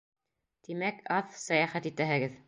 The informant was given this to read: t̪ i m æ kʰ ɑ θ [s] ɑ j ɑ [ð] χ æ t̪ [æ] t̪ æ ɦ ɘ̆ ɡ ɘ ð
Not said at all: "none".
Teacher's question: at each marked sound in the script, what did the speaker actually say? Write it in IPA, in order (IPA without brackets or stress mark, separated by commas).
s, none, i